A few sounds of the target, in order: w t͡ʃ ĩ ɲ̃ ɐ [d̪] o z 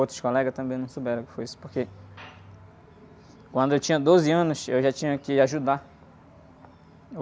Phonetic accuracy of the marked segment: correct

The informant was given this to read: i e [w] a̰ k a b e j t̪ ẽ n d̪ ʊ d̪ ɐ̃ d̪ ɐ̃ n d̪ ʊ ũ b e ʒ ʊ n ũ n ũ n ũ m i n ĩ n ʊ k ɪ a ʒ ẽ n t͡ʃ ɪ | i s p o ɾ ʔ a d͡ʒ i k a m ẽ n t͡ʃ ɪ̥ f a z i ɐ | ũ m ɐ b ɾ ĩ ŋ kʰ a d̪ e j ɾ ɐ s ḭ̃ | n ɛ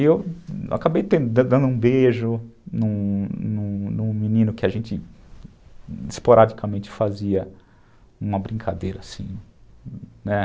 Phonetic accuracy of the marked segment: correct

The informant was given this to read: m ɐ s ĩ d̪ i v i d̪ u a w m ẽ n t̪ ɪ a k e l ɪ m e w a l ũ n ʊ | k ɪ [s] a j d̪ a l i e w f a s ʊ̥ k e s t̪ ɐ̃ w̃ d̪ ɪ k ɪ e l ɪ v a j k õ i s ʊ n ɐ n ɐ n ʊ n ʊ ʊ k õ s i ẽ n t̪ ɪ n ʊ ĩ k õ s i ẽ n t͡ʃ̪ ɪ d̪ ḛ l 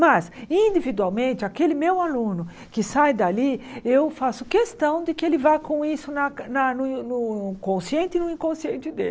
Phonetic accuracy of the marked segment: correct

